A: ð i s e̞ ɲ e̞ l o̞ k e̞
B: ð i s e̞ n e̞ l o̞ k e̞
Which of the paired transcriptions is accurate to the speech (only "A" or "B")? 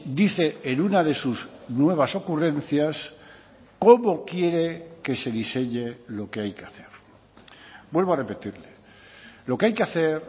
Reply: A